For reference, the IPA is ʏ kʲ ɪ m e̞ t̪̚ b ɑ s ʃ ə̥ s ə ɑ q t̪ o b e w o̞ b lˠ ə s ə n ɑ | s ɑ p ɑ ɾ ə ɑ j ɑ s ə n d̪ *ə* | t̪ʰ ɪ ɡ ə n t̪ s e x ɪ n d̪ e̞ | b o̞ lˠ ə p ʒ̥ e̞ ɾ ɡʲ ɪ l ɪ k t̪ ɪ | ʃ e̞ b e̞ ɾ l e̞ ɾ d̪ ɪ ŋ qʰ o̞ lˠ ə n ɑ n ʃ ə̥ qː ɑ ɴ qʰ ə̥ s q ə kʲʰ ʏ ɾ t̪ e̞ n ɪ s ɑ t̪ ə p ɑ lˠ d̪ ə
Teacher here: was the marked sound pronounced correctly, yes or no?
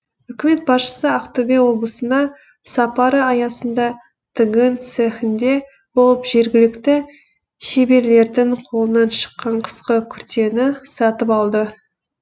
no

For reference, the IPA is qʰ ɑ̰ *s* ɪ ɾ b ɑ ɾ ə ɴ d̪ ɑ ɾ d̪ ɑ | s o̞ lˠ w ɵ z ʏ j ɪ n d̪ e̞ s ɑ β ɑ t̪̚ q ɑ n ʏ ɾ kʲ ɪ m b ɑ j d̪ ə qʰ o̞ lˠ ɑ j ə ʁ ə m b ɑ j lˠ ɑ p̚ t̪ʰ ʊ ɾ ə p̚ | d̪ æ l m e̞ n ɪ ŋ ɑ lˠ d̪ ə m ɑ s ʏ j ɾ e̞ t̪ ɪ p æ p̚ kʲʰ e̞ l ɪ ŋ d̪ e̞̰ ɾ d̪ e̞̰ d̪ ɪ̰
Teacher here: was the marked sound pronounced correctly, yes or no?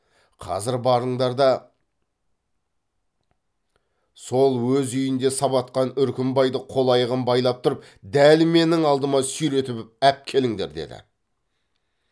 no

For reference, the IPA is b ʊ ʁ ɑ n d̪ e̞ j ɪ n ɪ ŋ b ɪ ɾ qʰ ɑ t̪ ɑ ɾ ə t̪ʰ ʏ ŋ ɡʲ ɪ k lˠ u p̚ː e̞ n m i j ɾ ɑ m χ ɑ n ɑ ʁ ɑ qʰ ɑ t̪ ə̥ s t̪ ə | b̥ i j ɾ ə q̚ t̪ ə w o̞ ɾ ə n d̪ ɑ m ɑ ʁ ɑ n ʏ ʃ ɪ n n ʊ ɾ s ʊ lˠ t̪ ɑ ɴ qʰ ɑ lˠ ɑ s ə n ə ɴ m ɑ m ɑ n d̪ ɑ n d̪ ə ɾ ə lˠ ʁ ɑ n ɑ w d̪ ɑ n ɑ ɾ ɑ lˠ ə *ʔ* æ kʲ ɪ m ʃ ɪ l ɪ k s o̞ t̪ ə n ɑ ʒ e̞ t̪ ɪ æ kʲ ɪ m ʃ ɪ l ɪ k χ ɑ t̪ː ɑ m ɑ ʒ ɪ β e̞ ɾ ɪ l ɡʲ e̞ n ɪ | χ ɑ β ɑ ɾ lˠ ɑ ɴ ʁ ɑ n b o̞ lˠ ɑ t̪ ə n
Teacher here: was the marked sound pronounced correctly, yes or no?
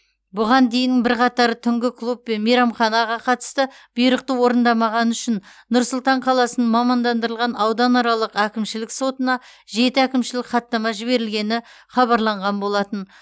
no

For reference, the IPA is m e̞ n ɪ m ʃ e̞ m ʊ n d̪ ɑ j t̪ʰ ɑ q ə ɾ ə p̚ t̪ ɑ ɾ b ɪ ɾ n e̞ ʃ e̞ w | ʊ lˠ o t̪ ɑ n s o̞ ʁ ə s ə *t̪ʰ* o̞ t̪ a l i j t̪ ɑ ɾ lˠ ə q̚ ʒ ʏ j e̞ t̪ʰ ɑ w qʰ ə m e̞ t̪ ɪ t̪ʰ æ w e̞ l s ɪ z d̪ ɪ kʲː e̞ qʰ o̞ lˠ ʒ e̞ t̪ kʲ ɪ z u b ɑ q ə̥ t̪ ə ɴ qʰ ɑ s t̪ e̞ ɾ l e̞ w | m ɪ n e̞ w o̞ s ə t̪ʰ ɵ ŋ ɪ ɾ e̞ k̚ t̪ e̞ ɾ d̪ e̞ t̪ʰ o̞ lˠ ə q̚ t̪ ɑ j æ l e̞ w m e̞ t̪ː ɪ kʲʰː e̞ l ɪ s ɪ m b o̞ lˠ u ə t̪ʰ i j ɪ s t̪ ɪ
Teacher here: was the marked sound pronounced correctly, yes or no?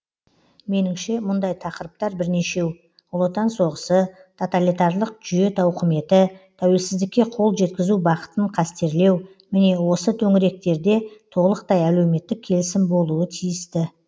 yes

